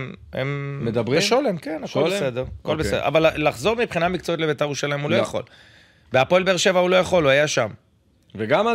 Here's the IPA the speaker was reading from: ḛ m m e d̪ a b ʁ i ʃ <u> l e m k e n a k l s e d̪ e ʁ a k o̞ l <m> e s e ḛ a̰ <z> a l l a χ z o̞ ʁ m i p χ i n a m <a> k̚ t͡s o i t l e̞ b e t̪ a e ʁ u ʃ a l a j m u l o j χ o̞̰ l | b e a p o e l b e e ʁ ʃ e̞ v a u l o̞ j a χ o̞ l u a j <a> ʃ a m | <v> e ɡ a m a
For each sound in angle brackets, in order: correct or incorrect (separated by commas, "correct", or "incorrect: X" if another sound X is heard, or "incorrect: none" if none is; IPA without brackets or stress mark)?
incorrect: o, incorrect: b, incorrect: v, incorrect: i, correct, correct